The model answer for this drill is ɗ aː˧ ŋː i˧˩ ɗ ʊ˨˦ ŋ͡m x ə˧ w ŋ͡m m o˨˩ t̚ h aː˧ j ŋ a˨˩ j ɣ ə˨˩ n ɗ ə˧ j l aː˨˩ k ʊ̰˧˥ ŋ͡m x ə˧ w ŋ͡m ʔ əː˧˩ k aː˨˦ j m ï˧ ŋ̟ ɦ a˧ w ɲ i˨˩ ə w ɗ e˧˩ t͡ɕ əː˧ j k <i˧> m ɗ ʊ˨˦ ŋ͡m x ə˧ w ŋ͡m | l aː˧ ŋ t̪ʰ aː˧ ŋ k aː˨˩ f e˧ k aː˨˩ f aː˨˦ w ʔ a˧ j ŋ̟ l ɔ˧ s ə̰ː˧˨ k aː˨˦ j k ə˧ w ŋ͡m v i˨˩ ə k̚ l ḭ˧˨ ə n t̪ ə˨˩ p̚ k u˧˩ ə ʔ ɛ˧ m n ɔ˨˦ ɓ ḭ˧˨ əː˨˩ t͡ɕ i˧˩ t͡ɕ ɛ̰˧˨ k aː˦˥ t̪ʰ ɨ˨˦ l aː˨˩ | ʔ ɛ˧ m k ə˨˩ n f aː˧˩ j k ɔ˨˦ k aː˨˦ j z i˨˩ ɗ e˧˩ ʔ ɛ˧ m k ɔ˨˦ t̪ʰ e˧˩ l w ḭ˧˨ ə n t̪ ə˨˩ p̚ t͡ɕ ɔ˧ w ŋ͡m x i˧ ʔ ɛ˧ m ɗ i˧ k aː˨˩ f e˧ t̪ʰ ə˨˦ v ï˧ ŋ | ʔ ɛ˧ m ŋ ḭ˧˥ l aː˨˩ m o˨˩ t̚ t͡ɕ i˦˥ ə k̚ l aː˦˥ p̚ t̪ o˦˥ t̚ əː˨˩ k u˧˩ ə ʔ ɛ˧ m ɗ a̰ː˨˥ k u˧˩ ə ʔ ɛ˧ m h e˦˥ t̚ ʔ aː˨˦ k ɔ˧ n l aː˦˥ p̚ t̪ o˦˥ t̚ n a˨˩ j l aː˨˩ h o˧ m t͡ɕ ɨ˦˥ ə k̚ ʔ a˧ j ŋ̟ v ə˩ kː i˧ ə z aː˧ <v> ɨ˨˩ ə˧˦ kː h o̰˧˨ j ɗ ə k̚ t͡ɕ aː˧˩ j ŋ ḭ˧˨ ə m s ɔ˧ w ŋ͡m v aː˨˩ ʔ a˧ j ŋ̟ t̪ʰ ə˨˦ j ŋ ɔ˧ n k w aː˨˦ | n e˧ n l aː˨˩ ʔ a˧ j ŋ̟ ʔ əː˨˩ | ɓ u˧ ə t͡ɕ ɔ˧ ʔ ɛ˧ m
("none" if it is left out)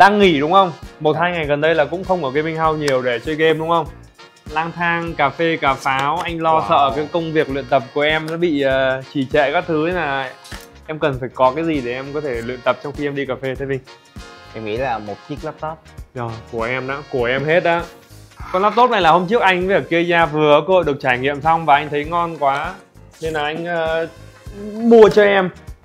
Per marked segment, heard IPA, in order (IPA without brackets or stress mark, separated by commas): e˧, v